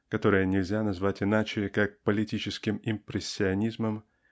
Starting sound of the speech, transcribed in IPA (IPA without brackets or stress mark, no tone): k